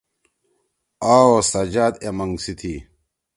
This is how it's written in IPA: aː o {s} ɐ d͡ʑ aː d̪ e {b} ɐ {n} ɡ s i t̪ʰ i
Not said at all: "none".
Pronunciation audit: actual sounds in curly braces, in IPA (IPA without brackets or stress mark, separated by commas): s, m, ŋ